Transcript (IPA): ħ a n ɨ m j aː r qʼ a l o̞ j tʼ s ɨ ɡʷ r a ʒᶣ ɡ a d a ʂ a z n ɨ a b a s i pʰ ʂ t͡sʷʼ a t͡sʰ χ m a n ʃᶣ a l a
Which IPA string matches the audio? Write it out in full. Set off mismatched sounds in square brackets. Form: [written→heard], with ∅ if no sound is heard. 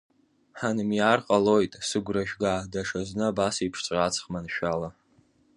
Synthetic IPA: ħ a n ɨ m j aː r qʼ a l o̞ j tʼ s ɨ ɡʷ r a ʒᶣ ɡ a d a ʂ a z n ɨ a b a s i pʰ ʂ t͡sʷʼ a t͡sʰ χ m a n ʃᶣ a l a